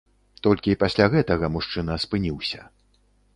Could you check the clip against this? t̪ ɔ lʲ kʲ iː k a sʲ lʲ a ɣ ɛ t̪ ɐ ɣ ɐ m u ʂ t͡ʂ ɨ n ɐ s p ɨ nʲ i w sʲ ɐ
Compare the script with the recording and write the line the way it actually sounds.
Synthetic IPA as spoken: t̪ ɔ lʲ kʲ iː p a sʲ lʲ a ɣ ɛ t̪ ɐ ɣ ɐ m u ʂ t͡ʂ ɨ n ɐ s p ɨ nʲ i w sʲ ɐ